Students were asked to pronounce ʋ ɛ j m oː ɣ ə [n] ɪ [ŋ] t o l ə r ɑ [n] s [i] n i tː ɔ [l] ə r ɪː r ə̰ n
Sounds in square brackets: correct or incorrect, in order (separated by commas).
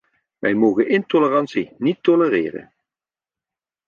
correct, incorrect, correct, correct, correct